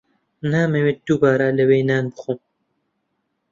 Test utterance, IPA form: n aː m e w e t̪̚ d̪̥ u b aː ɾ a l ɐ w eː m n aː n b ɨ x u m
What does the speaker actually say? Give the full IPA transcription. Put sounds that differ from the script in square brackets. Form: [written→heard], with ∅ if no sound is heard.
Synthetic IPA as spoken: n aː m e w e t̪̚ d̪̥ u b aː ɾ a l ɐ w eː [m→∅] n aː n b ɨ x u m